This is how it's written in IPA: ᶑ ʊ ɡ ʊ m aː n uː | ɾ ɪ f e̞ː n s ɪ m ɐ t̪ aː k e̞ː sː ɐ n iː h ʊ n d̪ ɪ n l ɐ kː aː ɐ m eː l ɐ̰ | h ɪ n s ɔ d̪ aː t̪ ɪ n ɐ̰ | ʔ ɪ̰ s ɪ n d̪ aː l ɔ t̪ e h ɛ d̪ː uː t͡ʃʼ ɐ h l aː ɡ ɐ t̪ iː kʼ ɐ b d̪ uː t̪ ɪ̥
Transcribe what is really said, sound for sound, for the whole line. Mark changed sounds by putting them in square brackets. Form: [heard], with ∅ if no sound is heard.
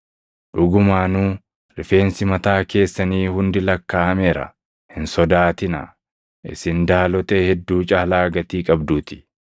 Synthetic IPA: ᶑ ʊ ɡ ʊ m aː n uː | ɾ ɪ f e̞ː n s ɪ m ɐ t̪ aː k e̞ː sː ɐ n iː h ʊ n d̪ ɪ [∅] l ɐ kː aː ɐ m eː [ɾ] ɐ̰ | h ɪ n s ɔ d̪ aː t̪ ɪ n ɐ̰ | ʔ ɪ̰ s ɪ n d̪ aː l ɔ t̪ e h ɛ d̪ː uː t͡ʃʼ ɐ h l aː ɡ ɐ t̪ iː kʼ ɐ b d̪ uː t̪ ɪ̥